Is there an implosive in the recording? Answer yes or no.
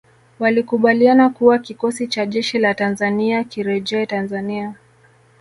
yes